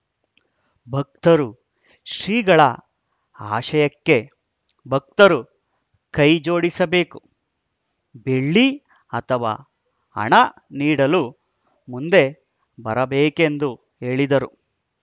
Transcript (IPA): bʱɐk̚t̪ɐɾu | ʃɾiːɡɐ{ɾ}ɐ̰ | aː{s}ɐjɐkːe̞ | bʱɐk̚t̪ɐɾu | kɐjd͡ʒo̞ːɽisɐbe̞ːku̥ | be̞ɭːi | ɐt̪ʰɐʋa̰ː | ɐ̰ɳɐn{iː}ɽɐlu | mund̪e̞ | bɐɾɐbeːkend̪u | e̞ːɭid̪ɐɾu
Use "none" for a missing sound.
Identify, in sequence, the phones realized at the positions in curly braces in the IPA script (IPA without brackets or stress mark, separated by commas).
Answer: ɭ, ʃ, iː